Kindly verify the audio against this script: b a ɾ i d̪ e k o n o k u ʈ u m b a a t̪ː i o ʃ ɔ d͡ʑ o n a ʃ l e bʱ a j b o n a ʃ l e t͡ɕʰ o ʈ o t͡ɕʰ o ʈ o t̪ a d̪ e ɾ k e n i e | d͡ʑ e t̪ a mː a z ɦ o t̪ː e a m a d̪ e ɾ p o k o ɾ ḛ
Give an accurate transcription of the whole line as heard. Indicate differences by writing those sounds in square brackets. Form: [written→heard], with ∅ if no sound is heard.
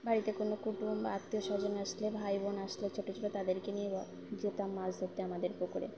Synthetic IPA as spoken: b a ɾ i [d̪→t̪] e k o n o k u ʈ u m b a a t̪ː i o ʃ ɔ d͡ʑ o n a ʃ l e bʱ a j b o n a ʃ l e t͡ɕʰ o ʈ o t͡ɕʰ o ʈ o t̪ a d̪ e ɾ k e n i e | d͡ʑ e t̪ a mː a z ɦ o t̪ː e a m a d̪ e ɾ p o k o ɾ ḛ